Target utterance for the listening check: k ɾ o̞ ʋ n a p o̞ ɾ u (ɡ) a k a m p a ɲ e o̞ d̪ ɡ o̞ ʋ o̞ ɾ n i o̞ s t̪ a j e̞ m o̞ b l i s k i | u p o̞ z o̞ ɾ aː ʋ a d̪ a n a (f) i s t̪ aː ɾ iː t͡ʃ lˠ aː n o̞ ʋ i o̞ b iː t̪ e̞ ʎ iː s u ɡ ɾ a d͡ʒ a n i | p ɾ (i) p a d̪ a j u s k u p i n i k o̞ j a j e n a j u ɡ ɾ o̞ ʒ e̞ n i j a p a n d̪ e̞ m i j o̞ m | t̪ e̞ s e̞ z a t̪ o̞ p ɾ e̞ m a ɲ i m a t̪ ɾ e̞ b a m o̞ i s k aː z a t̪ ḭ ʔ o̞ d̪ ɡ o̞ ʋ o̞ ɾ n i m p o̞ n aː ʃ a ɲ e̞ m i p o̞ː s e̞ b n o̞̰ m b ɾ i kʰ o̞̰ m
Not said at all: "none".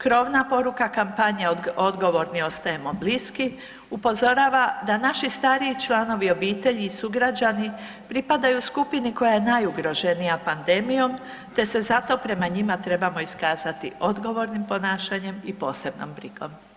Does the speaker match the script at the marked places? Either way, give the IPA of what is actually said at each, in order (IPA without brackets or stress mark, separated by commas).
k, ʃ, i